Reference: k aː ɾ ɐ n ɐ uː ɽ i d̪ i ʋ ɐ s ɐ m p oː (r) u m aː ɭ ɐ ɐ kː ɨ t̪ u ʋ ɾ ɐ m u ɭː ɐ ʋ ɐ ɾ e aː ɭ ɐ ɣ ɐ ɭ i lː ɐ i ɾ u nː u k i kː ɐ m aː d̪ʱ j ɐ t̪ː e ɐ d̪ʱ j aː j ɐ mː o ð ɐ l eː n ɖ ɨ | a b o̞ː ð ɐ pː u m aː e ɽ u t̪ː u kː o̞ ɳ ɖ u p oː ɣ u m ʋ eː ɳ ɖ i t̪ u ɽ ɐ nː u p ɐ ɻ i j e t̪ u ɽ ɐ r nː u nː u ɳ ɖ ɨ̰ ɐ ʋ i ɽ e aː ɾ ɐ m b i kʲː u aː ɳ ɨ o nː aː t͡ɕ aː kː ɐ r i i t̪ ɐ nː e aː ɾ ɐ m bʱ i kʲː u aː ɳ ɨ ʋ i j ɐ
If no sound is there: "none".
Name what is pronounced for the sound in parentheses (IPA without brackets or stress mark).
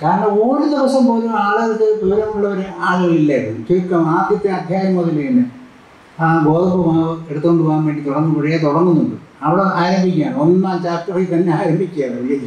l